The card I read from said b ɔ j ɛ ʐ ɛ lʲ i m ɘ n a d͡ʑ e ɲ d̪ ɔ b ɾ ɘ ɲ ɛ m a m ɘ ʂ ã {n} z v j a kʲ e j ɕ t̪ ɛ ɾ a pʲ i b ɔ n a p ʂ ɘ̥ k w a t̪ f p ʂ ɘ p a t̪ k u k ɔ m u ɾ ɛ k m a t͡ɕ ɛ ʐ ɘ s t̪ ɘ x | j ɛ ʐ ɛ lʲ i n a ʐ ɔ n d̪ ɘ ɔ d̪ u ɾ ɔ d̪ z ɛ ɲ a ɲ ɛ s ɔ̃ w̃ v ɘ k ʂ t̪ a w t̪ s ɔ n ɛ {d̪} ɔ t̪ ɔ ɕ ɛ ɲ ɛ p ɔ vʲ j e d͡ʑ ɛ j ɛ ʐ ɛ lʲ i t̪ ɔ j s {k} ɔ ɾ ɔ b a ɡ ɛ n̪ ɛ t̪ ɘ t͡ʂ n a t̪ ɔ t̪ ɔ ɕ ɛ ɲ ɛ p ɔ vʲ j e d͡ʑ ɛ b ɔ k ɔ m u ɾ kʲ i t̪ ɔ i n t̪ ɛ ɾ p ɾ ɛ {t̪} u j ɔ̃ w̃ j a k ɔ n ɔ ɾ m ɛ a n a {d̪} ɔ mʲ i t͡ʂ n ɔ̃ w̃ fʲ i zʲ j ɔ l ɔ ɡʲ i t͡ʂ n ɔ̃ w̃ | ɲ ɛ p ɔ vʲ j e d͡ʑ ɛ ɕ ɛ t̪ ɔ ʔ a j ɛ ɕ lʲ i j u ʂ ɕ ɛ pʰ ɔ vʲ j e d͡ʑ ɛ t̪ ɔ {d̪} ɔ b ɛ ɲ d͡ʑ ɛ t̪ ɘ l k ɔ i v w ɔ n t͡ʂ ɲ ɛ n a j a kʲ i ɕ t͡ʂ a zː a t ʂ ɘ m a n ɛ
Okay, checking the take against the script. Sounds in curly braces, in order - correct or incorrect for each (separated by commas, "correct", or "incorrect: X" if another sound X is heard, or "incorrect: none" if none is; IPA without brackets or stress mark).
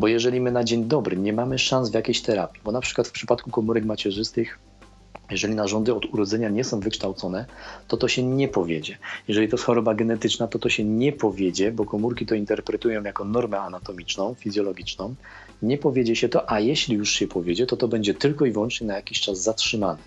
correct, incorrect: t̪, incorrect: x, correct, incorrect: t̪, incorrect: t̪